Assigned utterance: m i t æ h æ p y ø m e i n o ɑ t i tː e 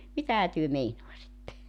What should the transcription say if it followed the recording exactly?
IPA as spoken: m i t æ h æ t y ø m e i n o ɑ s i tː e